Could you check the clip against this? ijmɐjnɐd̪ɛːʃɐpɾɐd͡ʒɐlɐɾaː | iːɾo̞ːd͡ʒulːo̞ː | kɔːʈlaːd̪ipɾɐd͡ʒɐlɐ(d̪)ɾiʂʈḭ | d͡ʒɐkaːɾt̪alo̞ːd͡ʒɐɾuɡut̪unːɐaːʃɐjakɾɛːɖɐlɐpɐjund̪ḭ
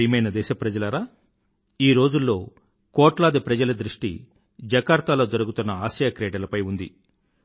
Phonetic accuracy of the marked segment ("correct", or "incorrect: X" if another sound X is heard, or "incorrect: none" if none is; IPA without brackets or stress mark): correct